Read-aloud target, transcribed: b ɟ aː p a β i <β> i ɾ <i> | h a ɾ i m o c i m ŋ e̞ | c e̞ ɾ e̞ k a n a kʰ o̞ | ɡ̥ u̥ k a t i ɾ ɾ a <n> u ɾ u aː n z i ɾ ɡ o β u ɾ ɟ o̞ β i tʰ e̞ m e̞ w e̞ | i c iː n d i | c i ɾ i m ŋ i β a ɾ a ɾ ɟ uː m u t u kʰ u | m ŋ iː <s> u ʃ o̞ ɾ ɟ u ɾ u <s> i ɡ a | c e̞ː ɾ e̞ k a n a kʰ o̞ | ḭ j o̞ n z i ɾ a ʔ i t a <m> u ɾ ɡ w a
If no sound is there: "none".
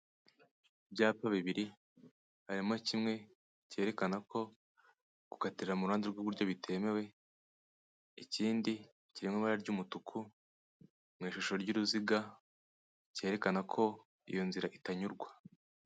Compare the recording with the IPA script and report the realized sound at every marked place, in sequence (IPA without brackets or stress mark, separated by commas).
β, i, m, ʃ, z, ɲ